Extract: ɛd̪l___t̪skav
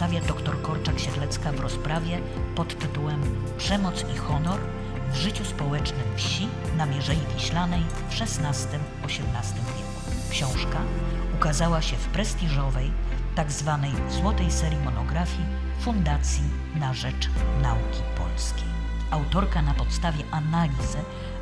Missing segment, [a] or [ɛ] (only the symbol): ɛ